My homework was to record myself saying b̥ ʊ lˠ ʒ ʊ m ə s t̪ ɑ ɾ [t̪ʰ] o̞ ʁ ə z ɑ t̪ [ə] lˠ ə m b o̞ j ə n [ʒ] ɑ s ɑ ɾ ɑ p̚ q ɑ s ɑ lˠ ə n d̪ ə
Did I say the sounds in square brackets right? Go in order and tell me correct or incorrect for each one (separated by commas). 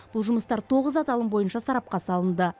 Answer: correct, incorrect, incorrect